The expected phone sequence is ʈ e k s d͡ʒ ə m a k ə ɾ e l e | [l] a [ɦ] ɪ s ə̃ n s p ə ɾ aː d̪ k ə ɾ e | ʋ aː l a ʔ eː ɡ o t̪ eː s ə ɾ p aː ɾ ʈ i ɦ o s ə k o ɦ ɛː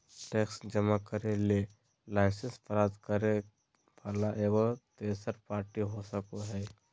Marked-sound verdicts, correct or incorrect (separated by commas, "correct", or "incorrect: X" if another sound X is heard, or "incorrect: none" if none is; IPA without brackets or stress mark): correct, incorrect: none